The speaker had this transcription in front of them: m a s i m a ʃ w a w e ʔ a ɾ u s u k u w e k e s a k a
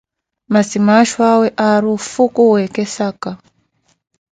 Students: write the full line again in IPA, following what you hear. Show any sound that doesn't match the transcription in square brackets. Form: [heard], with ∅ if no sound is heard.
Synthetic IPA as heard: m a s i m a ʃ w a w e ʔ a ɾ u [f] u k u w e k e s a k a